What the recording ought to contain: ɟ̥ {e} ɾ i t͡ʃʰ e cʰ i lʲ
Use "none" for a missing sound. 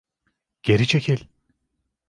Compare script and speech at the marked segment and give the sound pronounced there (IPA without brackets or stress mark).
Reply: e